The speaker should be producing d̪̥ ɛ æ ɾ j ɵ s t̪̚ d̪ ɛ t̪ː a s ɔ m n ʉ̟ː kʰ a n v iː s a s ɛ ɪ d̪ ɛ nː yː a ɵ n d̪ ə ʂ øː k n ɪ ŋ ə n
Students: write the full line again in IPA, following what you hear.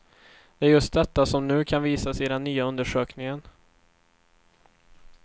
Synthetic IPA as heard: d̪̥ ɛ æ ɾ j ɵ s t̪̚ d̪ ɛ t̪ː a s ɔ m n ʉ̟ː kʰ a n v iː s a s ɛ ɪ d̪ ɛ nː yː a ɵ n d̪ ə ʂ øː k n ɪ ŋ ə n